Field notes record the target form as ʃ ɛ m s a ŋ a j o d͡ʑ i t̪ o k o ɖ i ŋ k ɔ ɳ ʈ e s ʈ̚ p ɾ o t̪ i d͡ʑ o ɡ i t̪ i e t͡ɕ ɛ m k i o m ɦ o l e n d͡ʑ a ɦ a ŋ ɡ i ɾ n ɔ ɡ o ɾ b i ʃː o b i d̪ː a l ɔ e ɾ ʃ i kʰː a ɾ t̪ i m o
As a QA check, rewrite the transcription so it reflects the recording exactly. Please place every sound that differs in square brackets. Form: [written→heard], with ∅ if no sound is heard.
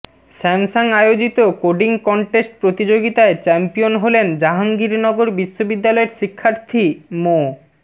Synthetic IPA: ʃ ɛ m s a ŋ a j o d͡ʑ i t̪ o k o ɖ i ŋ k ɔ ɳ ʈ e s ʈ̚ p ɾ o t̪ i d͡ʑ o ɡ i t̪ [i→a] e t͡ɕ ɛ m [k→p] i o [m→n] ɦ o l e n d͡ʑ a ɦ a ŋ ɡ i ɾ n ɔ ɡ o ɾ b i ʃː o b i d̪ː a l ɔ e ɾ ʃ i kʰː a ɾ [t̪→t̪ʰ] i m o

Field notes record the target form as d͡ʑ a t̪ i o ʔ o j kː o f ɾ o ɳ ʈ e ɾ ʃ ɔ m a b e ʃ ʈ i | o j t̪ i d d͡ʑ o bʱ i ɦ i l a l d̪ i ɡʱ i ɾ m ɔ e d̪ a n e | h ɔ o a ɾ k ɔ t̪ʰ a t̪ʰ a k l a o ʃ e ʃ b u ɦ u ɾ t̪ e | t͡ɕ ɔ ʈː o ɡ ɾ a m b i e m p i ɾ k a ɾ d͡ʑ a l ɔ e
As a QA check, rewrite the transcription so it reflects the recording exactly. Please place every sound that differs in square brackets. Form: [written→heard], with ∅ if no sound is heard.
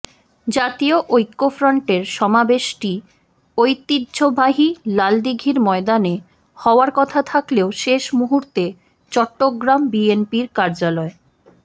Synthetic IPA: d͡ʑ a t̪ i o ʔ o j kː o f ɾ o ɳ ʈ e ɾ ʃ ɔ m a b e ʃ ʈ i | o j t̪ i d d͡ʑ o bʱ [i→a] ɦ i l a l d̪ i ɡʱ i ɾ m ɔ e d̪ a n e | h ɔ o a ɾ k ɔ t̪ʰ a t̪ʰ a k l [a→e] o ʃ e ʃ [b→m] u ɦ u ɾ t̪ e | t͡ɕ ɔ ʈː o ɡ ɾ a m b i e [m→n] p i ɾ k a ɾ d͡ʑ a l ɔ e

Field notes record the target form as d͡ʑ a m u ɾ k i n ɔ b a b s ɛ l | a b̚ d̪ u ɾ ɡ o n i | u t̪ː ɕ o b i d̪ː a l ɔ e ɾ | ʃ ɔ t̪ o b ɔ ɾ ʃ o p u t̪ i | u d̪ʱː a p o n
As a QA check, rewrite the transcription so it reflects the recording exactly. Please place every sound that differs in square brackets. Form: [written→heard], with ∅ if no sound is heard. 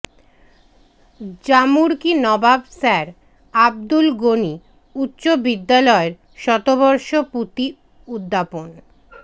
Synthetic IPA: d͡ʑ a m u ɾ k i n ɔ b a b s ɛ [l→ɾ] | a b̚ d̪ u [ɾ→l] ɡ o n i | u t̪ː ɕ o b i d̪ː a l ɔ e ɾ | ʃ ɔ t̪ o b ɔ ɾ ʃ o p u t̪ i | u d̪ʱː a p o n

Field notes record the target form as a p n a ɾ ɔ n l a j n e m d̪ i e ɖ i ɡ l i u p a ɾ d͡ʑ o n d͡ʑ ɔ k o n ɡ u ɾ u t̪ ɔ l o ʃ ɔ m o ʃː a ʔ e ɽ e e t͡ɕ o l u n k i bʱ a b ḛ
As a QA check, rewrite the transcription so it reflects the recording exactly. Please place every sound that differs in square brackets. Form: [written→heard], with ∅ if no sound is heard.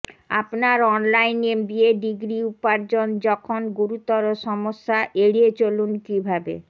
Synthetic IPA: a p n a ɾ ɔ n l a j n e m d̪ i e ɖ i ɡ [l→ɾ] i u p a ɾ d͡ʑ o n d͡ʑ ɔ [k→kʰ] o n ɡ u ɾ u t̪ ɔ [l→ɾ] o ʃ ɔ m o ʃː a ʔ e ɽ [e→i] e t͡ɕ o l u n k i bʱ a b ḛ

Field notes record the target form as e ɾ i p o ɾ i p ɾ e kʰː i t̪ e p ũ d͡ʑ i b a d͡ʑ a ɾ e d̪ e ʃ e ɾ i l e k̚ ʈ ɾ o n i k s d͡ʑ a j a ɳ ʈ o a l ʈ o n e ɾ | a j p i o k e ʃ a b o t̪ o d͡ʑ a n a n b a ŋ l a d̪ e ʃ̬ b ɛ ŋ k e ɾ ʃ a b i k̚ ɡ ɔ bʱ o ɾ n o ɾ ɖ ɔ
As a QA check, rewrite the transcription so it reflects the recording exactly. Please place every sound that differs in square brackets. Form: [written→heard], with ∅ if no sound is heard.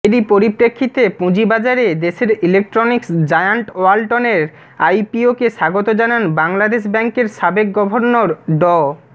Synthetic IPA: e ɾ i p o ɾ i p ɾ e kʰː i t̪ e p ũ d͡ʑ i b a d͡ʑ a ɾ e d̪ e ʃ e ɾ i l e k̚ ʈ ɾ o n i k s d͡ʑ a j a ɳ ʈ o a l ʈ o n e ɾ | a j p i o k e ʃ a [b→ɡ] o t̪ o d͡ʑ a n a n b a ŋ l a d̪ e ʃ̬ b ɛ ŋ k e ɾ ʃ a b [i→e] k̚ ɡ ɔ bʱ o ɾ n o ɾ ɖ ɔ

